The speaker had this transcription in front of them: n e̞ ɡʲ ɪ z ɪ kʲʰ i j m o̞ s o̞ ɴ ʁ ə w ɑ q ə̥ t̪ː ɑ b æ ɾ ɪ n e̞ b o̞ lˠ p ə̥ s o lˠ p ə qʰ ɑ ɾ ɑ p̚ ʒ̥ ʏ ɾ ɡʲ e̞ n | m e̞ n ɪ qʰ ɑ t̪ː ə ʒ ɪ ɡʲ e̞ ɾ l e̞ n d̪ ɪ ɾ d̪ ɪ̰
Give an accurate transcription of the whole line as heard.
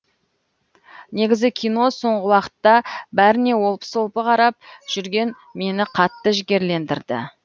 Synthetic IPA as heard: n e̞ ɡʲ ɪ z ɪ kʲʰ i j n o̞ s o̞ ɴ ʁ ə w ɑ q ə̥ t̪ː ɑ b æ ɾ ɪ n e̞ w o̞ lˠ p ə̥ s o lˠ p ə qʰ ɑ ɾ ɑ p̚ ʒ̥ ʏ ɾ ɡʲ e̞ n | m e̞ n ɪ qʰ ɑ t̪ː ə ʒ ɪ ɡʲ e̞ ɾ l e̞ n d̪ ɪ ɾ d̪ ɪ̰